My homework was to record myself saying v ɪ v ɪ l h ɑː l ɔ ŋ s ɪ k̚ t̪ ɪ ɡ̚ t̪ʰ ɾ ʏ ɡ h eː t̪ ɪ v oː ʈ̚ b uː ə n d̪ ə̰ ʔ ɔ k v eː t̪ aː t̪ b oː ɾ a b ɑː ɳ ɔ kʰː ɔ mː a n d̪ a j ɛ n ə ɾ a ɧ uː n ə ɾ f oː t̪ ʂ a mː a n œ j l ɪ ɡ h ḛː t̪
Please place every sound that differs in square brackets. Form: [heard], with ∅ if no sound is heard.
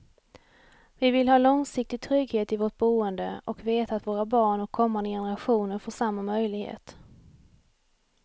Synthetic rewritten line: v ɪ v ɪ l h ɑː l ɔ ŋ s ɪ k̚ t̪ ɪ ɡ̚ t̪ʰ ɾ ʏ ɡ h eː t̪ ɪ v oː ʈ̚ b uː ə n d̪ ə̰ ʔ ɔ k v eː t̪ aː t̪ [v] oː ɾ a b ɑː ɳ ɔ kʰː ɔ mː a n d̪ [ə] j ɛ n ə ɾ a ɧ uː n ə ɾ f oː [∅] ʂ a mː a [m] œ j l ɪ ɡ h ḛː t̪